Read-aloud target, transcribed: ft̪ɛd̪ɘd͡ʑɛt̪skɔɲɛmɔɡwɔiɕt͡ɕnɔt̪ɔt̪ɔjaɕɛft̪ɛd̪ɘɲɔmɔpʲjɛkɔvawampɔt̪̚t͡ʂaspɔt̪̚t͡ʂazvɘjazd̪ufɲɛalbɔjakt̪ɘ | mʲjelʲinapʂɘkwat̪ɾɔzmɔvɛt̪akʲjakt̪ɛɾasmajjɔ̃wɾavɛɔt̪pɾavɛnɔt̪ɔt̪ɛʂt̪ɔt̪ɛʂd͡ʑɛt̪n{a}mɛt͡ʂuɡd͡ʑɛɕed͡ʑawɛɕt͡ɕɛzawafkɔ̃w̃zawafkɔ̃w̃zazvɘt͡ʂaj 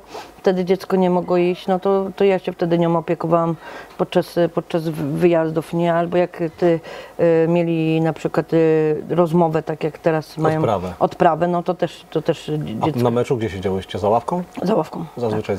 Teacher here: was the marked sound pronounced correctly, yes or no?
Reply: yes